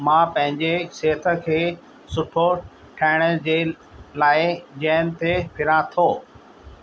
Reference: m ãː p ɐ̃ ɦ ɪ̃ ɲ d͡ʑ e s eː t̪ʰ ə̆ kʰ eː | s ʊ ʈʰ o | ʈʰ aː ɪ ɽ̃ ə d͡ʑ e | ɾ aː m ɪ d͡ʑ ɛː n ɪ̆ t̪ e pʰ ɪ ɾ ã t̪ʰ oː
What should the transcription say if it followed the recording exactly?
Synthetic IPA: m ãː p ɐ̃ ɦ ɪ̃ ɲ d͡ʑ e s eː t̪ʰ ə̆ kʰ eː | s ʊ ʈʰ o | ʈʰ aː ɪ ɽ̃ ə d͡ʑ e | l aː ɪ d͡ʑ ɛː n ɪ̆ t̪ e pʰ ɪ ɾ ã t̪ʰ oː